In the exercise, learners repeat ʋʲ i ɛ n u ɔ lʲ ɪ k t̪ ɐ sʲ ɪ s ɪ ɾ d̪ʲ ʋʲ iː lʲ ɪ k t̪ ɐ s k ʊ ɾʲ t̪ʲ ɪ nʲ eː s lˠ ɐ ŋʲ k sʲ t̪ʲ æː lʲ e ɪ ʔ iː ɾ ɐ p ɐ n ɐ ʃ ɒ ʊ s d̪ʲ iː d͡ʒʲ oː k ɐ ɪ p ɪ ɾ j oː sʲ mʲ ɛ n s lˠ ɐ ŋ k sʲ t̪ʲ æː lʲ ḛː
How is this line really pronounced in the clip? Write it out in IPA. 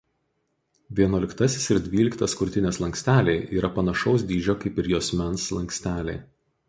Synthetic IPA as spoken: ʋʲ i ɛ n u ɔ lʲ ɪ k t̪ ɐ sʲ ɪ s ɪ ɾ d̪ʲ ʋʲ iː lʲ ɪ k t̪ ɐ s k ʊ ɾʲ t̪ʲ ɪ nʲ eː s lˠ ɐ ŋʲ k sʲ t̪ʲ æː lʲ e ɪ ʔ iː ɾ ɐ p ɐ n ɐ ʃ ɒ ʊ s d̪ʲ iː d͡ʒʲ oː k ɐ ɪ p ɪ ɾ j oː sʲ mʲ ɛ n s lˠ ɐ ŋ k sʲ t̪ʲ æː lʲ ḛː